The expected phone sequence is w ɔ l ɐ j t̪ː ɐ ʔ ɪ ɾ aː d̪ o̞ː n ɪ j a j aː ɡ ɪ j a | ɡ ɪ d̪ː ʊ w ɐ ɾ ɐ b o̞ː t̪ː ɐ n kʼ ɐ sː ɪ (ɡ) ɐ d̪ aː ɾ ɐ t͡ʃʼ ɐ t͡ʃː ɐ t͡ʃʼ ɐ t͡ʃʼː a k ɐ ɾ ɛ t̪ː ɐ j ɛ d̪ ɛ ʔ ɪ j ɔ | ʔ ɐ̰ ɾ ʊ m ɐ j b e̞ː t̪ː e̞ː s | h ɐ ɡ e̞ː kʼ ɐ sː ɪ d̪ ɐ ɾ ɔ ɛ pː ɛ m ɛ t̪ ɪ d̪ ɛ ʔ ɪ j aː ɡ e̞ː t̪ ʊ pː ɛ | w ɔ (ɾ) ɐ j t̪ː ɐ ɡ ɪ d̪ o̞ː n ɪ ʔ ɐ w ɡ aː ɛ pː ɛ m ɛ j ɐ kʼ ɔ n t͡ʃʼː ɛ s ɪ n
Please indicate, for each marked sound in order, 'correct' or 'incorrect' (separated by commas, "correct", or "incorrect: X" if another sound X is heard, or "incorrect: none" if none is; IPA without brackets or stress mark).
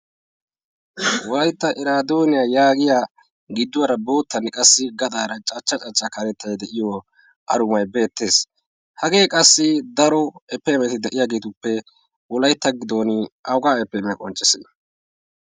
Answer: correct, incorrect: l